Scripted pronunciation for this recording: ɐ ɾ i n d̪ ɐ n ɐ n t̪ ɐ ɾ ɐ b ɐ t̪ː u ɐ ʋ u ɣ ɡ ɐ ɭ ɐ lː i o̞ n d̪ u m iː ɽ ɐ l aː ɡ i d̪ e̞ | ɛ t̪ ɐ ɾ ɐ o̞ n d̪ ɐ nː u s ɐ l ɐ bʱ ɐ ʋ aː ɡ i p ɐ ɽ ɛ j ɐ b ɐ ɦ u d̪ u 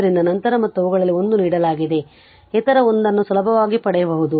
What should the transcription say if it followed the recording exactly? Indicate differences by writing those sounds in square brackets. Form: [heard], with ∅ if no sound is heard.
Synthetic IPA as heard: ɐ ɾ i n d̪ ɐ n ɐ n t̪ ɐ ɾ ɐ [m] ɐ t̪ː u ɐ ʋ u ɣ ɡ ɐ ɭ ɐ lː i o̞ n d̪ u [n] iː ɽ ɐ l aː ɡ i d̪ e̞ | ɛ t̪ ɐ ɾ ɐ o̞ n d̪ ɐ nː u s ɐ l ɐ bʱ ɐ ʋ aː ɡ i p ɐ ɽ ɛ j ɐ b ɐ ɦ u d̪ u